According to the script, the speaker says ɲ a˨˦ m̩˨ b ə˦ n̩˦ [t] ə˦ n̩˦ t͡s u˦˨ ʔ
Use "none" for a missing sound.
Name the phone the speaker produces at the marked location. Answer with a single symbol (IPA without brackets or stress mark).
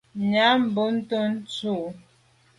t